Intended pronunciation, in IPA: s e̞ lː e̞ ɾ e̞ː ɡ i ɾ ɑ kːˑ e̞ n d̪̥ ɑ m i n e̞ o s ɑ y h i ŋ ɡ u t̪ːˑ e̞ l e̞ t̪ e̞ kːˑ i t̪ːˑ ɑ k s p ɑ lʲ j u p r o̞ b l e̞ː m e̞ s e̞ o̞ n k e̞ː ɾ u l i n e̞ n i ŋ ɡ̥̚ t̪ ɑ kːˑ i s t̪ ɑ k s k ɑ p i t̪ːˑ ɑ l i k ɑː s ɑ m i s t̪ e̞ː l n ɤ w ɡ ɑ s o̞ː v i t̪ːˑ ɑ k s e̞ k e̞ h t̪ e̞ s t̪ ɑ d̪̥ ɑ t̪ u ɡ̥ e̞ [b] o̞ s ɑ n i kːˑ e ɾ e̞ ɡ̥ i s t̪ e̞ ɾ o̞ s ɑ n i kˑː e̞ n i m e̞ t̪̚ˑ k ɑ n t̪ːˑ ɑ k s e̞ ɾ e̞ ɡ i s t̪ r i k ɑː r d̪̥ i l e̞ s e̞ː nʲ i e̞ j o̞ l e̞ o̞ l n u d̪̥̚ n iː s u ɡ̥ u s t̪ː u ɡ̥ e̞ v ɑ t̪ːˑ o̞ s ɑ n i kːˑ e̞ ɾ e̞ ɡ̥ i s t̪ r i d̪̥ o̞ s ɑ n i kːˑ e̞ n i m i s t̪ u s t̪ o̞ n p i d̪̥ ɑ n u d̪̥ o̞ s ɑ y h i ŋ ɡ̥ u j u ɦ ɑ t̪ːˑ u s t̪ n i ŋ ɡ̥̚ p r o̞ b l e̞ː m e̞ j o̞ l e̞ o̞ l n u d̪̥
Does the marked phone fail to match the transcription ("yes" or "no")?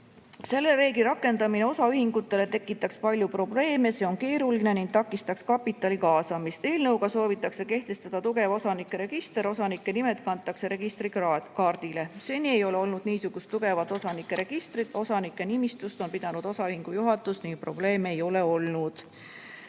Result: yes